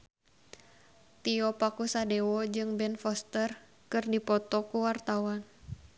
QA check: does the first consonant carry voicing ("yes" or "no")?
no